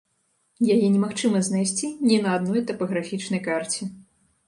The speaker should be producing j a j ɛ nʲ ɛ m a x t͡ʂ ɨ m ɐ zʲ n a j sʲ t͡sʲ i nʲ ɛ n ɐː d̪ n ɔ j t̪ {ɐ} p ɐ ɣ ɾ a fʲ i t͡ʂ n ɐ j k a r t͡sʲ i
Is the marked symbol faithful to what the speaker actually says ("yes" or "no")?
yes